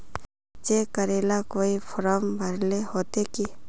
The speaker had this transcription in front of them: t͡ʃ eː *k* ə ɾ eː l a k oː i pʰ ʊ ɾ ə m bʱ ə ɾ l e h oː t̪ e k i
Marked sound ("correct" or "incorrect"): correct